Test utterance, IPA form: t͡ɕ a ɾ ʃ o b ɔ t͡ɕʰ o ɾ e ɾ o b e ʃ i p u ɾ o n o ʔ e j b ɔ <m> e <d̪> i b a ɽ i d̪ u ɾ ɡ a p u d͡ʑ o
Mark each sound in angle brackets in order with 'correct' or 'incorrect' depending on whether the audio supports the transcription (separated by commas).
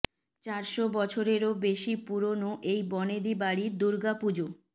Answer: incorrect, correct